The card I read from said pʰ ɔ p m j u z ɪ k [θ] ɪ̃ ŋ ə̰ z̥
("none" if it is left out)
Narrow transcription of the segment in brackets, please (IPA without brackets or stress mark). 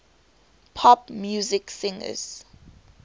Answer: s